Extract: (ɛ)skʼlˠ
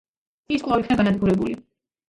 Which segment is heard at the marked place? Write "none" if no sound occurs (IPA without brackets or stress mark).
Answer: i